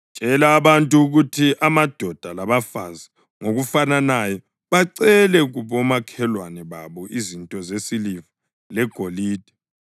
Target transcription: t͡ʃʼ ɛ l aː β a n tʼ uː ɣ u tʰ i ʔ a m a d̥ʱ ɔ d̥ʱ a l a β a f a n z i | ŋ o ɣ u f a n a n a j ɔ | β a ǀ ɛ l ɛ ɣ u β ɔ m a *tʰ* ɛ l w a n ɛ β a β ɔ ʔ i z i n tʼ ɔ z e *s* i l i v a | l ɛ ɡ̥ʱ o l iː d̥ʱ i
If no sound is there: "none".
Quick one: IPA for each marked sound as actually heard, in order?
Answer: kʰ, s

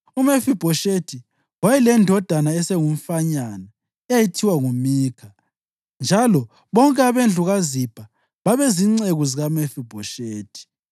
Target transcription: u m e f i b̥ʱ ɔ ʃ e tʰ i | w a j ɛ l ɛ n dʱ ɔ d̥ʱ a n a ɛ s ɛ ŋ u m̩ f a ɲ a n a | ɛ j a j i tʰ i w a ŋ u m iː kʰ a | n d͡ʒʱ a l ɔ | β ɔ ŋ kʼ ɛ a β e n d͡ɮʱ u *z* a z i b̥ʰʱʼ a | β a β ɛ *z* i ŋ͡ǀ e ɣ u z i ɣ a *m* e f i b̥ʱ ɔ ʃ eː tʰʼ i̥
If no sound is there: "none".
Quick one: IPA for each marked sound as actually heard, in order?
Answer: ɣ, z, m

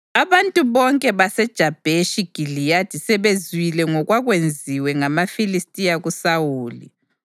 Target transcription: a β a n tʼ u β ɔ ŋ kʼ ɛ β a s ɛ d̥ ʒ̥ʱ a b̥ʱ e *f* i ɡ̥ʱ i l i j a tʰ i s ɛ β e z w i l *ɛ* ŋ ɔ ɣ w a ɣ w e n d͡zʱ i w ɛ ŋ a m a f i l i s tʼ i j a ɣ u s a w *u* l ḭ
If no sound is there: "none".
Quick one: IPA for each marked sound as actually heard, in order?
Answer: ʃ, ɛ, uː

